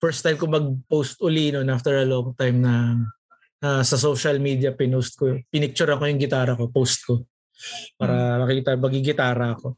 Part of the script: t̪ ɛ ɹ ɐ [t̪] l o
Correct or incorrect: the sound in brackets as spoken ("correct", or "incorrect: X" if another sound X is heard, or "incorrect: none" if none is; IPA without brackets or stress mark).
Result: incorrect: none